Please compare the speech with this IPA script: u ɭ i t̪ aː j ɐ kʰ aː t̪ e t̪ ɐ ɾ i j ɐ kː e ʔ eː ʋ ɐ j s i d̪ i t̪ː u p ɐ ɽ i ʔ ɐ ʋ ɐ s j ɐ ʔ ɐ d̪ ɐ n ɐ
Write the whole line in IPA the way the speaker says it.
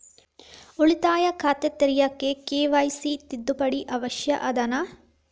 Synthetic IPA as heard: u ɭ i t̪ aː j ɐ kʰ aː t̪ e t̪ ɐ ɾ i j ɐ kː e k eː ʋ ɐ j s i t̪ i d̪ː u p ɐ ɽ i ʔ ɐ ʋ ɐ ʃ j ɐ ʔ ɐ d̪ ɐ n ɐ